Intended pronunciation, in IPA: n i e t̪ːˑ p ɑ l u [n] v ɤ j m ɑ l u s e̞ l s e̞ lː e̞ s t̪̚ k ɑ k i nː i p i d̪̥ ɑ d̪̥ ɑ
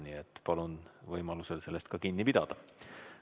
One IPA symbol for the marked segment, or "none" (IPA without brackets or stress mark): n